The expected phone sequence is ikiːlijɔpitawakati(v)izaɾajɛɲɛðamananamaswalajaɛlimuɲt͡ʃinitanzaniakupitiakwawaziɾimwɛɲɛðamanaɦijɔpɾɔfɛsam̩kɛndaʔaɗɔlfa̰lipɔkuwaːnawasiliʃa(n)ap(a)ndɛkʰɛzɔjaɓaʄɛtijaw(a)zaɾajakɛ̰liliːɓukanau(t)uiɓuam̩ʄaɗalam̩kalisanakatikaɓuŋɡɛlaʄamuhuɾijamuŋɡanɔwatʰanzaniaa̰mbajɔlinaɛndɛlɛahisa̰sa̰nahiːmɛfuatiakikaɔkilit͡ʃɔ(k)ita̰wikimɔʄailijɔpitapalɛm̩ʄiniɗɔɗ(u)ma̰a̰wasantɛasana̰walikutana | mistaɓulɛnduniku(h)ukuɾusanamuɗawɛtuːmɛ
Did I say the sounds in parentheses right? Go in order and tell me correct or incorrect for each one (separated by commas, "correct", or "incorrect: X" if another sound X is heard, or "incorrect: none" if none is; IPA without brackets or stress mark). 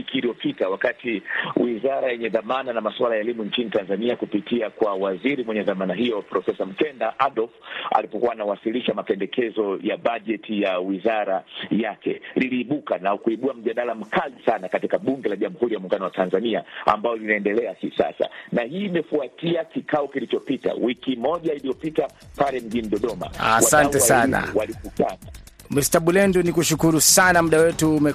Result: incorrect: w, incorrect: m, incorrect: ɛ, incorrect: i, incorrect: k, incorrect: p, incorrect: ɔ, incorrect: ʃ